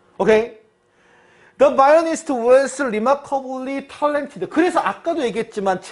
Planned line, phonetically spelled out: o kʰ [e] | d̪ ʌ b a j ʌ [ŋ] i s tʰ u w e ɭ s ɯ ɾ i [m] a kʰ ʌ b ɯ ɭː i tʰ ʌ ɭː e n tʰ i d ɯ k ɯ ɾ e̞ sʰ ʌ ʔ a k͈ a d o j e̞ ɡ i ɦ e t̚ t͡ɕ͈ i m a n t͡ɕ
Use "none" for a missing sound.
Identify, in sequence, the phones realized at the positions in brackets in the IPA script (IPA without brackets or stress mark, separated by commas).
e, n, m